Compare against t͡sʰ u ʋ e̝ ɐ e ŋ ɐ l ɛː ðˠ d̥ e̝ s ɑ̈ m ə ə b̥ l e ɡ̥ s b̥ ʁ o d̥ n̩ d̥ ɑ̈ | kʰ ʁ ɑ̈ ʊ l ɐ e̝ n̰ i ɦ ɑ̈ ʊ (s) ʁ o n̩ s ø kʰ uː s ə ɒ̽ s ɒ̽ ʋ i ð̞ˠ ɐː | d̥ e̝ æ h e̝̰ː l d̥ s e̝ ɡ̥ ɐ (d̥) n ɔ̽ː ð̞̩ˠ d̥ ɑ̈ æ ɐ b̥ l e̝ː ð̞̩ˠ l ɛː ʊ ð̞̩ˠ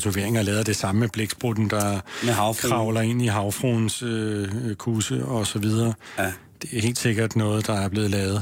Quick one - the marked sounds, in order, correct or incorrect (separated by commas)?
incorrect, correct